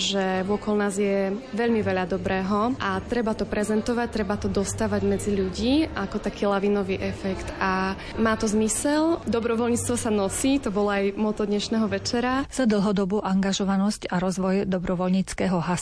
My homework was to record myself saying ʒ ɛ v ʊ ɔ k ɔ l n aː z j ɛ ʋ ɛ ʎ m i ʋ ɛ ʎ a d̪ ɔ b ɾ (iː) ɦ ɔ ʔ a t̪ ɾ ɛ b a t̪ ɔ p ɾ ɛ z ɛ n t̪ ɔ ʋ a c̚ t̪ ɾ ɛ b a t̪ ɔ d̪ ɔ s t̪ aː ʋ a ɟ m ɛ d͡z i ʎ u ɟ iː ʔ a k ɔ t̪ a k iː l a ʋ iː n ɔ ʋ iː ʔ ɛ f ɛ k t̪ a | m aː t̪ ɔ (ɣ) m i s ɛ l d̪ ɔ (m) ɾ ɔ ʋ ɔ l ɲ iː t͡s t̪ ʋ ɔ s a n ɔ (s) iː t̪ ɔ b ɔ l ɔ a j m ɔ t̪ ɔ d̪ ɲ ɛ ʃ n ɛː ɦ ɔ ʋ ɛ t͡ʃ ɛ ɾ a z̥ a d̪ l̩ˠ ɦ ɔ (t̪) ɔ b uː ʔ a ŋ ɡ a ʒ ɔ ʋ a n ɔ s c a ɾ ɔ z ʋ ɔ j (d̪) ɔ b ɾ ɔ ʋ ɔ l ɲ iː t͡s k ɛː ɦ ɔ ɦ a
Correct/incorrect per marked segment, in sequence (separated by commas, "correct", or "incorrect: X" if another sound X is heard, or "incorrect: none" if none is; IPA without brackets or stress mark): incorrect: ɛː, incorrect: z, incorrect: b, correct, incorrect: d̪, correct